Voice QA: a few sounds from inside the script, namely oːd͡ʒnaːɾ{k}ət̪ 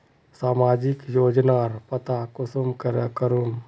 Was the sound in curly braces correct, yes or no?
no